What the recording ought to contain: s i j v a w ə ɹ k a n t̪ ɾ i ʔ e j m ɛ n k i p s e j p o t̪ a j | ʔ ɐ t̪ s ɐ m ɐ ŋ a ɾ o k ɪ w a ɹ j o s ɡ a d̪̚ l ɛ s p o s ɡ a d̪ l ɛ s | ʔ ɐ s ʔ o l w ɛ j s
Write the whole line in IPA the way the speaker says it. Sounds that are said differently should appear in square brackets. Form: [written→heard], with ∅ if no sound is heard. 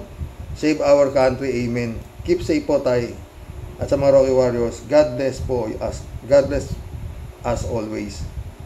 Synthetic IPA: s [i→e] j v a w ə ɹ k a n t̪ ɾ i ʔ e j m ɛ n k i p s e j p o t̪ a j | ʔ ɐ t̪ s ɐ m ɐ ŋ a ɾ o k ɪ w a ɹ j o s ɡ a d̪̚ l ɛ s p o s ɡ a d̪ l ɛ s | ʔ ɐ s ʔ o l w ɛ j s